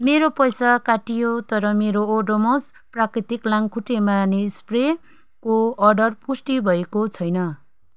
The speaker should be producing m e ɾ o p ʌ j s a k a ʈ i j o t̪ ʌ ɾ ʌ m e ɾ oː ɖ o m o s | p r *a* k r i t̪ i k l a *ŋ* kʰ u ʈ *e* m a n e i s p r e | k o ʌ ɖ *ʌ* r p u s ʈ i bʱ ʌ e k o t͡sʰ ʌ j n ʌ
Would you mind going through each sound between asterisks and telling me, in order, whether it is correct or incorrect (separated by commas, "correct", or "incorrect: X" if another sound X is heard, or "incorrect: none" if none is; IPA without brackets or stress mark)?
correct, correct, correct, correct